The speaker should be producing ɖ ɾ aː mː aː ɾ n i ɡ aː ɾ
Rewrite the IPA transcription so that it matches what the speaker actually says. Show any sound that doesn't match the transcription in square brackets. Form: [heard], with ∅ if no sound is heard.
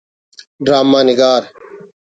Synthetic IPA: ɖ ɾ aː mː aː [∅] n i ɡ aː ɾ